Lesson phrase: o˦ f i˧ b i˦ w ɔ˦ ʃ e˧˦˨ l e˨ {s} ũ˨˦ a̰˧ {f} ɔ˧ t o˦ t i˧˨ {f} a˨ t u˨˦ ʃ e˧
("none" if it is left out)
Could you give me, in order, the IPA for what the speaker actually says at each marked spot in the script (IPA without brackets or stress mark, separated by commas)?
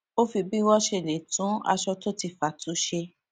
t, ʃ, f